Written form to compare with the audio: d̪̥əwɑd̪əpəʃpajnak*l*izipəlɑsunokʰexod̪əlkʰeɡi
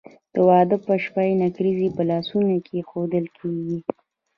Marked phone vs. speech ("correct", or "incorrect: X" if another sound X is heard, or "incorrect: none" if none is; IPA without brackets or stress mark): incorrect: ɾ